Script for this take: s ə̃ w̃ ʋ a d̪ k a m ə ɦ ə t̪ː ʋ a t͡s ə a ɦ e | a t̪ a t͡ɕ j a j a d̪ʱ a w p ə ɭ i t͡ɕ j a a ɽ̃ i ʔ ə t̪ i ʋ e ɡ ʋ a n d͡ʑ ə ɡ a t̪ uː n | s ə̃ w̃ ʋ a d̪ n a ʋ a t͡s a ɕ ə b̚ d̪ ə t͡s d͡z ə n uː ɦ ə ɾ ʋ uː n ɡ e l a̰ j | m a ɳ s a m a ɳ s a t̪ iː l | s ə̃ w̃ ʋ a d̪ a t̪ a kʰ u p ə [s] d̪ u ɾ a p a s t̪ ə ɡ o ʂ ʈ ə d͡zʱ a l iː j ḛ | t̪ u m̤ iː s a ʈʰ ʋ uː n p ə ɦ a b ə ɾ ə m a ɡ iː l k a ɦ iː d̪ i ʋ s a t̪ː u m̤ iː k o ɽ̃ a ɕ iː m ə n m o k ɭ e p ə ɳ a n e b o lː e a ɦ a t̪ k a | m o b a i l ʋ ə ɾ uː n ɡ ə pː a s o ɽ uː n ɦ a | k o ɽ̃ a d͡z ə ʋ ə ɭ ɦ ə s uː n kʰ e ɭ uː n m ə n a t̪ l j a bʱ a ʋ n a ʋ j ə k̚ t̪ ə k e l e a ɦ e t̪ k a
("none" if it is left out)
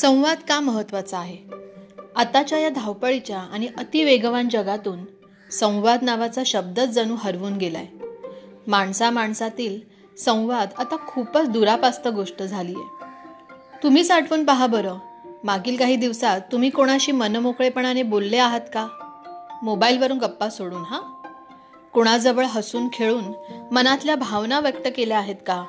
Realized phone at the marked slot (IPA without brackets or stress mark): t͡s